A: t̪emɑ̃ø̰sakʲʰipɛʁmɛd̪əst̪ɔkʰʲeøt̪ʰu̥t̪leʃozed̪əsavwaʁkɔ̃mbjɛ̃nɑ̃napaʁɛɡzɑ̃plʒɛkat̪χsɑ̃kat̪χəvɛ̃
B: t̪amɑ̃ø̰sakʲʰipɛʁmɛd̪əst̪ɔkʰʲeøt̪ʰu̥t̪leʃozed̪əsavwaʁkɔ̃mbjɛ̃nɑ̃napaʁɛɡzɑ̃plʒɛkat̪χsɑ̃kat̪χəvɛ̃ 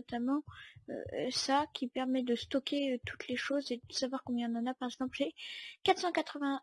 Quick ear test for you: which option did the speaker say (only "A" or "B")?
B